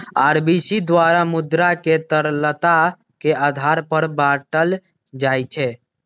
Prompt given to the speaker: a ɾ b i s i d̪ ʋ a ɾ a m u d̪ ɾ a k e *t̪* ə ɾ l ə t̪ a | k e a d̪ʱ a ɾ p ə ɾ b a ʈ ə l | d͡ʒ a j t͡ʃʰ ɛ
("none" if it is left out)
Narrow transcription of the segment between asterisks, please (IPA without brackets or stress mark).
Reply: t̪